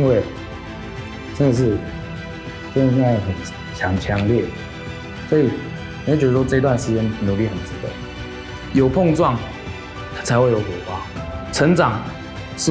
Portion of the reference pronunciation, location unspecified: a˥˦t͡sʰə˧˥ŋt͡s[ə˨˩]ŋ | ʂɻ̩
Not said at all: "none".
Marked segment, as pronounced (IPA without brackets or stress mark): ɑ˨˩